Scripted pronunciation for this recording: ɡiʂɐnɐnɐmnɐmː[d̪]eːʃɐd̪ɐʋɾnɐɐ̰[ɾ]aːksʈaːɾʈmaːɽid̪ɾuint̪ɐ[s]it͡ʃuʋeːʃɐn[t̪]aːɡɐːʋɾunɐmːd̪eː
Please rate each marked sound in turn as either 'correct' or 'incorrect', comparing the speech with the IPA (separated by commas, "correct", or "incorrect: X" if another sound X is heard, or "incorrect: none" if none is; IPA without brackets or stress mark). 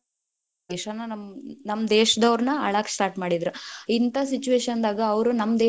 correct, incorrect: ɭ, correct, incorrect: d̪